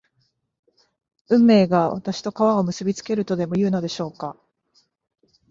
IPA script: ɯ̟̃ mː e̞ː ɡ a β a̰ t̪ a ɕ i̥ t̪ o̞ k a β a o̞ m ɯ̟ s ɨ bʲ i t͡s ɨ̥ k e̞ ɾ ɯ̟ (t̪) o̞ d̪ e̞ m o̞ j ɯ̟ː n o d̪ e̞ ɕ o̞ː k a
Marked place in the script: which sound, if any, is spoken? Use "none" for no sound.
t̪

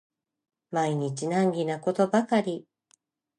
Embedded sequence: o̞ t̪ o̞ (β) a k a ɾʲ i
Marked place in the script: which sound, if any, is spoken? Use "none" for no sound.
b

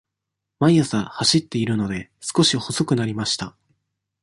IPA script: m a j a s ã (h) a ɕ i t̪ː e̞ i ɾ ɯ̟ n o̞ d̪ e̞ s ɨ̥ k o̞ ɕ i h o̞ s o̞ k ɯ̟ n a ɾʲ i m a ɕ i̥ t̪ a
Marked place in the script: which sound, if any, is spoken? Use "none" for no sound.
h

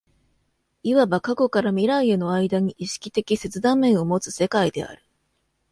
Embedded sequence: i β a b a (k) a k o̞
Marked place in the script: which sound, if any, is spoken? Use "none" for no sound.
k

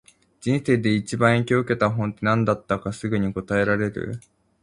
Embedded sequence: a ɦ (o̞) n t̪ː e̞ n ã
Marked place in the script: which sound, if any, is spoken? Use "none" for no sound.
õ̞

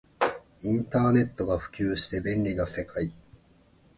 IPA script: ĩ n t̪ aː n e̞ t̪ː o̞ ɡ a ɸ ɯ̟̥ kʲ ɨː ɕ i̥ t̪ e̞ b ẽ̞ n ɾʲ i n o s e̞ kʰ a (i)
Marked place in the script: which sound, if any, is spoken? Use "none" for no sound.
i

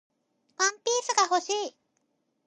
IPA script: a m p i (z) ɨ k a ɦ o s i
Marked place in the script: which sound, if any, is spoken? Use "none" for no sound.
s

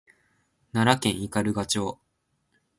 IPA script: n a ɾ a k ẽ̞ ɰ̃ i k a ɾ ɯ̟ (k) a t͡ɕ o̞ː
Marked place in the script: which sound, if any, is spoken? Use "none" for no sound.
ɡ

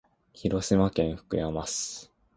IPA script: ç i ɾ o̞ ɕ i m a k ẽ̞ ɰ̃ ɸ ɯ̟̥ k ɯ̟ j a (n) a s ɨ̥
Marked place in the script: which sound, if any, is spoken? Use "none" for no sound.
m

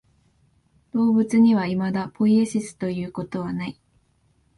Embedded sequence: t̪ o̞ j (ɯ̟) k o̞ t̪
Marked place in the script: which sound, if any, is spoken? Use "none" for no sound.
ɯ̟ː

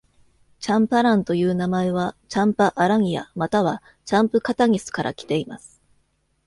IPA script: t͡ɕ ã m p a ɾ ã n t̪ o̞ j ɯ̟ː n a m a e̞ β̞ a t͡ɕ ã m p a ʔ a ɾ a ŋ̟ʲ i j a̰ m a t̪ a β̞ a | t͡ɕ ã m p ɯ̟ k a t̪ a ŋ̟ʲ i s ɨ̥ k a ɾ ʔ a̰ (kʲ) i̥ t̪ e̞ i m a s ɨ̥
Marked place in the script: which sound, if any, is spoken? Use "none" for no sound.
kʲ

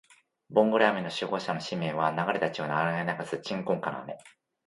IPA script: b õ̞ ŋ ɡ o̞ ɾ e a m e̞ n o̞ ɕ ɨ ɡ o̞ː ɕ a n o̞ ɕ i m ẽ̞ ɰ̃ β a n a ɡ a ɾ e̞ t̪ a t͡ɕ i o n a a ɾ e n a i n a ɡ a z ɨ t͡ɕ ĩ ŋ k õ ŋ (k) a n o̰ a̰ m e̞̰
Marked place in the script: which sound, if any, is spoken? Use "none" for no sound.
k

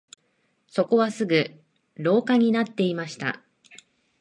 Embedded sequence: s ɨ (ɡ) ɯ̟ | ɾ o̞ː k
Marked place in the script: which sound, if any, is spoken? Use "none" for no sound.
ɡ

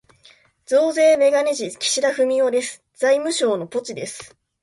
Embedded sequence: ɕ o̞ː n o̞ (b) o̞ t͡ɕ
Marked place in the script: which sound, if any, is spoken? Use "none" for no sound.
p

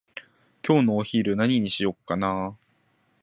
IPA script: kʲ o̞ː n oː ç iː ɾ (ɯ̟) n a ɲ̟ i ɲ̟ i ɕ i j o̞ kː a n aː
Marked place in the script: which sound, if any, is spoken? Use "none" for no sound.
ɯ̟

